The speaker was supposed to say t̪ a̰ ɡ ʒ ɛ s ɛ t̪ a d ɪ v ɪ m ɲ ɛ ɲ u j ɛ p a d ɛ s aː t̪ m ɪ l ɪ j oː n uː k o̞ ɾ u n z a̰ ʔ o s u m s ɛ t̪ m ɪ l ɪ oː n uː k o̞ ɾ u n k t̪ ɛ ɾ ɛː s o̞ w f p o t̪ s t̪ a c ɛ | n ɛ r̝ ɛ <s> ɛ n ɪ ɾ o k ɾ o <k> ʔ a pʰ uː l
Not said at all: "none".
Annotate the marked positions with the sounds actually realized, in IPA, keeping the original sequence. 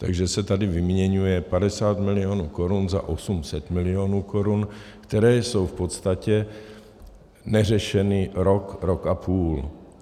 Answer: ʃ, k

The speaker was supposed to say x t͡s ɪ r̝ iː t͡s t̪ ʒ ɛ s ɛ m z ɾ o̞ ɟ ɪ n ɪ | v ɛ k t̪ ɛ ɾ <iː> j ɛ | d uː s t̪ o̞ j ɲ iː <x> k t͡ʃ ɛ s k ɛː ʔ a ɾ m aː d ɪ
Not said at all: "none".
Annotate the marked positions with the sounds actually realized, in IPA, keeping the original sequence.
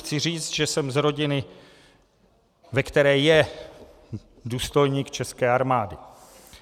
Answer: ɛː, none

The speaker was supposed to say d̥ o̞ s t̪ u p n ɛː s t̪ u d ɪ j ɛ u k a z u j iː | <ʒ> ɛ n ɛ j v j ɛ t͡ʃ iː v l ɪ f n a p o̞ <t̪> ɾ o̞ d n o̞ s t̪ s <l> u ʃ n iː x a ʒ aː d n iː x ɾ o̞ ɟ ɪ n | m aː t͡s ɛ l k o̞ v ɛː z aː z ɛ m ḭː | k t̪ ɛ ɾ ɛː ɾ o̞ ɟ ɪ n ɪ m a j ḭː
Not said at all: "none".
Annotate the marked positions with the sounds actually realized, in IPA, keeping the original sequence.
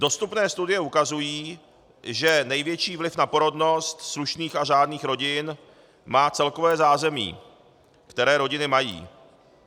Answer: ʒ, none, l

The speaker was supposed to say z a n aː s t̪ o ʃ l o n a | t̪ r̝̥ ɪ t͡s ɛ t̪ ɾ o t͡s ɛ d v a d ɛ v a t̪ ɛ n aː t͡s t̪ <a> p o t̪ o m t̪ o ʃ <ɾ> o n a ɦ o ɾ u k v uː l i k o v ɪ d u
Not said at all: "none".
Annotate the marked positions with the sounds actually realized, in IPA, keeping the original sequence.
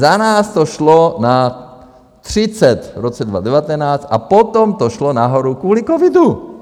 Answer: a, l

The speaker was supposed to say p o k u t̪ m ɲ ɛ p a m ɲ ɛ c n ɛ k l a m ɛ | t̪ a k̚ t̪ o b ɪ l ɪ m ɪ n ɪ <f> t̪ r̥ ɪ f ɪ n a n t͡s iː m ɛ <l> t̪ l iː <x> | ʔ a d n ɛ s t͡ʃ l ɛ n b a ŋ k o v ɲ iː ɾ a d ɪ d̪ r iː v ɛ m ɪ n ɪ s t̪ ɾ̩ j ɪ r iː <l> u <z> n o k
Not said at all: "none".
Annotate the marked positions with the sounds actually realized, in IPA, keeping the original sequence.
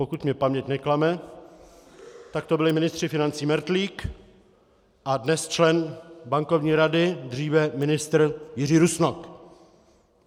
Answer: s, ɾ, k, ɾ, s

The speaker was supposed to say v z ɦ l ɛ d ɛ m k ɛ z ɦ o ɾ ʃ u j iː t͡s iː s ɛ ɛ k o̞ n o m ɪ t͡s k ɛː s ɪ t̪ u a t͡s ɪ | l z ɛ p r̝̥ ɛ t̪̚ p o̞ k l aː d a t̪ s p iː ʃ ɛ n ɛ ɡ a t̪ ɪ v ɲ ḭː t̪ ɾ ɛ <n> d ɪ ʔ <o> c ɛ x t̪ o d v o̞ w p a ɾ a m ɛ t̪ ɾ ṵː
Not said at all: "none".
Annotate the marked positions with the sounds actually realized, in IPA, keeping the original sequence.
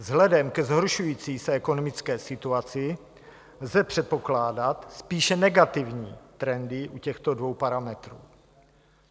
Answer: n, u

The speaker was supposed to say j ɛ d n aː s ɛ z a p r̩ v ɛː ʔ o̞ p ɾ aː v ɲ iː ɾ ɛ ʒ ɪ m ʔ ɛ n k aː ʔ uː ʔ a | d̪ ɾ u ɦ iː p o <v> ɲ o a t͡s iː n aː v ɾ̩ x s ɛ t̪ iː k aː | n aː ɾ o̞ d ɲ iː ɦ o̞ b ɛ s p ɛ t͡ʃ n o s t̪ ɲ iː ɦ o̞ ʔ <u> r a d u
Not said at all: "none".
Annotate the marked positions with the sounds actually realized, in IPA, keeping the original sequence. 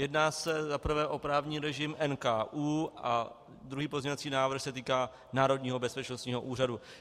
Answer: z, uː

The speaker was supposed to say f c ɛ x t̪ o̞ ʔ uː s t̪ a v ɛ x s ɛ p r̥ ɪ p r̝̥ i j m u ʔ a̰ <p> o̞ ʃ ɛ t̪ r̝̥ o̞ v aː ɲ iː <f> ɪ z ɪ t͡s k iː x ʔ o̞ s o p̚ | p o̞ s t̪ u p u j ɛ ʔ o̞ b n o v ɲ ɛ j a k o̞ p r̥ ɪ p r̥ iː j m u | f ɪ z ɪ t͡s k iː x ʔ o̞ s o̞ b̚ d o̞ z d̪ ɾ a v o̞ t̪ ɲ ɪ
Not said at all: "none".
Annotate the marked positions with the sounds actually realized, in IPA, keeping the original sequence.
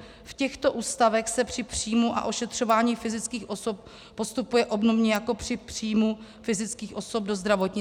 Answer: ʔ, f

